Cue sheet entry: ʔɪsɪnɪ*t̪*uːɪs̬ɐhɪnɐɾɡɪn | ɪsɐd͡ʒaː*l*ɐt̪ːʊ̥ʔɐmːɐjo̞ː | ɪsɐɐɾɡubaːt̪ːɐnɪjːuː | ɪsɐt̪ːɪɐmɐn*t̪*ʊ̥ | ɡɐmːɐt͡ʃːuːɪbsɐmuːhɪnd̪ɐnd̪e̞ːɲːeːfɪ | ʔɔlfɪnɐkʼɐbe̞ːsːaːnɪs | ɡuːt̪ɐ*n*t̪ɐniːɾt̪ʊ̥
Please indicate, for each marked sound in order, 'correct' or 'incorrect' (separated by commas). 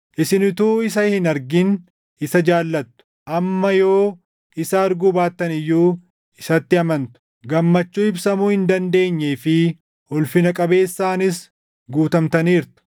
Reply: correct, incorrect, correct, incorrect